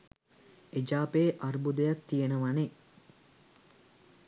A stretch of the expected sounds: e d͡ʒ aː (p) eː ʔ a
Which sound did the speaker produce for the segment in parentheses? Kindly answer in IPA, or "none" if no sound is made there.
p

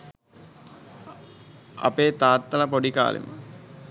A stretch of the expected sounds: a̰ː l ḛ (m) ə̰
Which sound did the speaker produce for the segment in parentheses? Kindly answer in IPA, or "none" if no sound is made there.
m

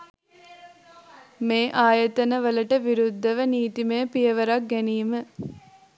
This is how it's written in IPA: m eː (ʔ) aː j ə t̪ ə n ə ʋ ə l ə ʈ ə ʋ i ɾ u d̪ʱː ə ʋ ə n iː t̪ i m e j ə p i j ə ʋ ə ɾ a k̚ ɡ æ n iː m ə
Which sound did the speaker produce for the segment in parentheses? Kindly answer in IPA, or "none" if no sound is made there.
ʔ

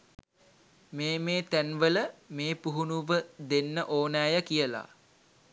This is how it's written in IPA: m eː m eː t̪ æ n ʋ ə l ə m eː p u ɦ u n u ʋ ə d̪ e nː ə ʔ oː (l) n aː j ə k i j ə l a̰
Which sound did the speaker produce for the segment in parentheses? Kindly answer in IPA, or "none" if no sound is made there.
none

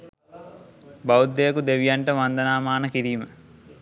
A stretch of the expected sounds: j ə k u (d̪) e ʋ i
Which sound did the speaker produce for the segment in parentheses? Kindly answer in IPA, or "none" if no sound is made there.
d̪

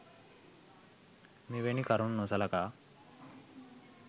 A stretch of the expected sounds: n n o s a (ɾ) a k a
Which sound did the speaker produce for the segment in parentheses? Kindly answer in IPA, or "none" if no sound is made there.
l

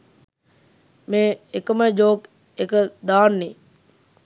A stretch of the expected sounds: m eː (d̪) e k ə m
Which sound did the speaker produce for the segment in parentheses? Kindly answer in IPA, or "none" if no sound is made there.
none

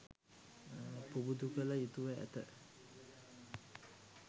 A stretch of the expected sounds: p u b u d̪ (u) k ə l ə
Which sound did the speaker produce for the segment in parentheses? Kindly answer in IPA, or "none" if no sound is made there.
u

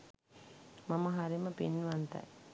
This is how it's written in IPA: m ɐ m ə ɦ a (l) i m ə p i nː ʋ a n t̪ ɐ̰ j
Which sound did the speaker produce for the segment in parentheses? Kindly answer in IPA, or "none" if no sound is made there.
ɾ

